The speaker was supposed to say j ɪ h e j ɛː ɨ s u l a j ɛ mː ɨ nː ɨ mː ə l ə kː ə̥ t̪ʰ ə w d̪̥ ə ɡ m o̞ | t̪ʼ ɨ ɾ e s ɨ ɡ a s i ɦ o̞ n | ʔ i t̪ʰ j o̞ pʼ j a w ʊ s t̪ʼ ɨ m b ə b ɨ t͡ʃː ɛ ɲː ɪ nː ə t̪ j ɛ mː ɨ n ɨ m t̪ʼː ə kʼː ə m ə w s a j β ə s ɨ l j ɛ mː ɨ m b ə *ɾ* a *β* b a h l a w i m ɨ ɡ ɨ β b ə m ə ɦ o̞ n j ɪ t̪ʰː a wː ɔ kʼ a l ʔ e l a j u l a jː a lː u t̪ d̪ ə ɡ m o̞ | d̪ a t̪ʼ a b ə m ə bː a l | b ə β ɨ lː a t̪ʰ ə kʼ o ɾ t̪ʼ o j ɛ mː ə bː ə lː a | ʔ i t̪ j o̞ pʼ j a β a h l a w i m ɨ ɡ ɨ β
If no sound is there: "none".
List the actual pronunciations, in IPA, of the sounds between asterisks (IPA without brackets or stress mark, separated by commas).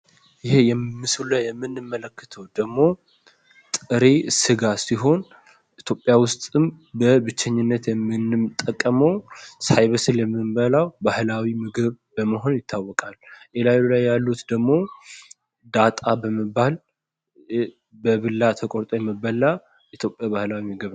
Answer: l, w